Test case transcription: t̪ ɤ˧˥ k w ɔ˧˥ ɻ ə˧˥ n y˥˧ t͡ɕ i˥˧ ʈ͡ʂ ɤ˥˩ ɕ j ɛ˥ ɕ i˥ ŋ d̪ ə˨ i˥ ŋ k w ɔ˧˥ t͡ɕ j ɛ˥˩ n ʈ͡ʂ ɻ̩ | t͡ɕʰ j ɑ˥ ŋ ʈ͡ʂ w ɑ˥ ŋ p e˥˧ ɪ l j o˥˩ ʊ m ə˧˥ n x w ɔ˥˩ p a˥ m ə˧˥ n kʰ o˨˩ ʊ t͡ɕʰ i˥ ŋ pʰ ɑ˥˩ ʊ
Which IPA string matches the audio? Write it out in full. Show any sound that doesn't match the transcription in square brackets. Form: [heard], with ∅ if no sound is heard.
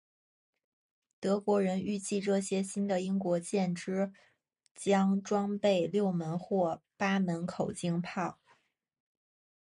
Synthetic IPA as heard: t̪ ɤ˧˥ k w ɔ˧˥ ɻ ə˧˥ n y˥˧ t͡ɕ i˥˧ ʈ͡ʂ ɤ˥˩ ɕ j ɛ˥ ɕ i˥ [n] d̪ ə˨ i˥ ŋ k w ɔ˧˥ t͡ɕ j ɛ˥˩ n ʈ͡ʂ ɻ̩ | [t͡ɕ] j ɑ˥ ŋ ʈ͡ʂ w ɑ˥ ŋ p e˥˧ ɪ l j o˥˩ ʊ m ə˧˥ n x w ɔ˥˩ p a˥ m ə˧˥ n kʰ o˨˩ ʊ [t͡ɕ] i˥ ŋ pʰ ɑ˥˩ ʊ